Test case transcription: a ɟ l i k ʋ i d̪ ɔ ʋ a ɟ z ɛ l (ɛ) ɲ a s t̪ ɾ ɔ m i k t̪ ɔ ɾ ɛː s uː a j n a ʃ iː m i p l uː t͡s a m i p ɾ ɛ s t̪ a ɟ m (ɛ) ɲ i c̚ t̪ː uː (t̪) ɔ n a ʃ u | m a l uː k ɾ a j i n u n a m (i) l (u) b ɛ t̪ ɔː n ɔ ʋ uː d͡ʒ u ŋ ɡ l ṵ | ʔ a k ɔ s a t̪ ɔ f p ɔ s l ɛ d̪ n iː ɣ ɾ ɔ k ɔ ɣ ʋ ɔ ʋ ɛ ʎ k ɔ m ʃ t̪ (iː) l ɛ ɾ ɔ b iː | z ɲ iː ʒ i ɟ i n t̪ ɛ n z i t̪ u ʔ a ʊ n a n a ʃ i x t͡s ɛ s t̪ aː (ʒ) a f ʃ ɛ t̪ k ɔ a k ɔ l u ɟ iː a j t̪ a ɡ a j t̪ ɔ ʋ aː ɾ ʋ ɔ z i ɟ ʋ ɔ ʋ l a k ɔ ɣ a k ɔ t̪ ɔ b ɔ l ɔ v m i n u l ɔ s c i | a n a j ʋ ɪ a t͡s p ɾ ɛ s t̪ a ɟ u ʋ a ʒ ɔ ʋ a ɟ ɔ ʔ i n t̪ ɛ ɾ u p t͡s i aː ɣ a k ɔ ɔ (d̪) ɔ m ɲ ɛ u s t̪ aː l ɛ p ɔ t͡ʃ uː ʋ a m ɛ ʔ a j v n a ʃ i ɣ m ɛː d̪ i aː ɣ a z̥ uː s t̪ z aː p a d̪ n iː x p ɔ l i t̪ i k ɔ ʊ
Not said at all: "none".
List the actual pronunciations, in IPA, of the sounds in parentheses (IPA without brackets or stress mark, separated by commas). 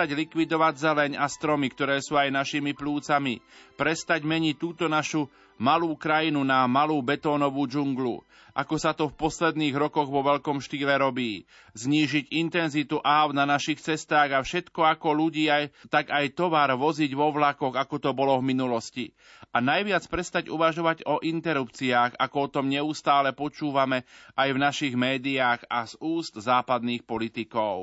ɛ, ɛ, t̪, a, uː, iː, ɣ, t̪